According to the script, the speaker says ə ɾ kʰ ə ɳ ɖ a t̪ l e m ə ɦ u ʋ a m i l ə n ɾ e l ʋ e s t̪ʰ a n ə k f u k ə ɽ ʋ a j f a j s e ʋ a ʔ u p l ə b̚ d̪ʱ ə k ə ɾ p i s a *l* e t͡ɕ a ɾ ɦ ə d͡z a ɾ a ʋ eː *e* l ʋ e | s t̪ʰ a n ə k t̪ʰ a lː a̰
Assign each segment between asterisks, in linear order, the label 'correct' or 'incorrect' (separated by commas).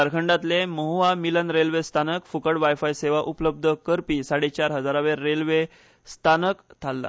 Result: incorrect, correct